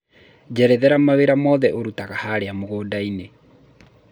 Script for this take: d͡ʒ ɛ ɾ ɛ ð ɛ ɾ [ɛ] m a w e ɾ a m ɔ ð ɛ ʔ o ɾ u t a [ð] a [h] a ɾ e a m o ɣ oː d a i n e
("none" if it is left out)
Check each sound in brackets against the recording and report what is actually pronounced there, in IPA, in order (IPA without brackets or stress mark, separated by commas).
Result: a, ɣ, h